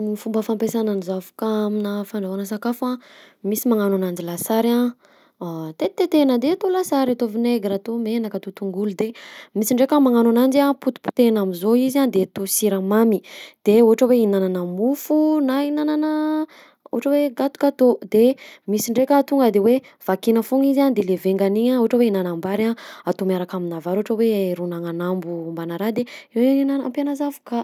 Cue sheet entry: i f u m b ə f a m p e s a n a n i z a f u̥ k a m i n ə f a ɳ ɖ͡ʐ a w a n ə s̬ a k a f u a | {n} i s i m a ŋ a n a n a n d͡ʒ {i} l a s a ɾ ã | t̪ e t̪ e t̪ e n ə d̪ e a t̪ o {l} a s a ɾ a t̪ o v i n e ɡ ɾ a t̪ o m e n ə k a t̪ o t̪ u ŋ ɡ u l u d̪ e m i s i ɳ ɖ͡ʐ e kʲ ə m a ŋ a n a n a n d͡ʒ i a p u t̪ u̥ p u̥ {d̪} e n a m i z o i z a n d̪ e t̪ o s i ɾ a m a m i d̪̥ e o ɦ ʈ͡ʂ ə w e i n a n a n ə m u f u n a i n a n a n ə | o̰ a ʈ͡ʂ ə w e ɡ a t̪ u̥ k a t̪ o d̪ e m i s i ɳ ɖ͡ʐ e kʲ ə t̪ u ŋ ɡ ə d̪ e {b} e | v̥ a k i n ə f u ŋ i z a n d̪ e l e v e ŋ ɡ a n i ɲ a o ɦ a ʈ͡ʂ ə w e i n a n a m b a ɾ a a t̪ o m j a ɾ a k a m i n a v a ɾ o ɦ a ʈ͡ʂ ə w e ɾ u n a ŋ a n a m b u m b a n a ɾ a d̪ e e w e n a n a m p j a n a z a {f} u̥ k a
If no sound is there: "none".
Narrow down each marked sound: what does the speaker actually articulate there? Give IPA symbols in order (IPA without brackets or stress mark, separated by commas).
m, i, l, t̪, w, v